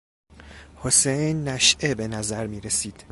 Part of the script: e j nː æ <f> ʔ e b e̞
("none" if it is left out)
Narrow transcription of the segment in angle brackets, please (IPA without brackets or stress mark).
ʃ